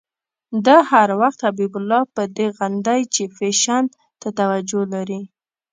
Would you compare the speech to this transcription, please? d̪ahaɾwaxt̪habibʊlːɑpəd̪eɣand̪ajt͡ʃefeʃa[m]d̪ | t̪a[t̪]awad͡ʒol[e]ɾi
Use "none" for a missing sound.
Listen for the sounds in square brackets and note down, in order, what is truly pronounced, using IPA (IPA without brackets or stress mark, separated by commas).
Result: n, t̪, a